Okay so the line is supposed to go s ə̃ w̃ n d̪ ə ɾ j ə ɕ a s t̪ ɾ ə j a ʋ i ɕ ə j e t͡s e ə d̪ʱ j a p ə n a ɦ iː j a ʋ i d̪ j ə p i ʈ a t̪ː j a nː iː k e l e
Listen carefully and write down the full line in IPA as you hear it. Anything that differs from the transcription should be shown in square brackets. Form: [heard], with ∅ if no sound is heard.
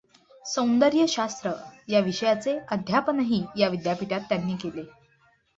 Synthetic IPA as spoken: s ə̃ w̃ n d̪ ə ɾ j ə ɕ a s t̪ ɾ ə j a ʋ i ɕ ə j [a] t͡s e ə d̪ʱ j a p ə n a ɦ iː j a ʋ i d̪ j [a] p i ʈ a t̪ː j a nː iː k e l e